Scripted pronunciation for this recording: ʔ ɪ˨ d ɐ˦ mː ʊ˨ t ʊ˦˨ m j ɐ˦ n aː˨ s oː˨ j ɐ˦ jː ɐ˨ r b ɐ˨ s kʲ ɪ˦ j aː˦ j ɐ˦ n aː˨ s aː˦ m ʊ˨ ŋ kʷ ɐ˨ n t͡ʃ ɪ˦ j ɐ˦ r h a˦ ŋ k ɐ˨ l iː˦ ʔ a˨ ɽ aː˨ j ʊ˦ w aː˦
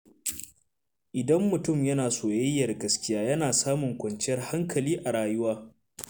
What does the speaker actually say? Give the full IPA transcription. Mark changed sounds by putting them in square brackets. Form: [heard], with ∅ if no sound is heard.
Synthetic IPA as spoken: ʔ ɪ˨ d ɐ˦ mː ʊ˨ t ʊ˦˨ m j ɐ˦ n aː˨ s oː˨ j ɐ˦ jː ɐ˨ r [ɡ] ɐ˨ s kʲ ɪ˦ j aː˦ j ɐ˦ n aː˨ s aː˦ m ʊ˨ ŋ kʷ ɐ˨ n t͡ʃ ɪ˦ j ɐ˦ r h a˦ ŋ k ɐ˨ l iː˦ ʔ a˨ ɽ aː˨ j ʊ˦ w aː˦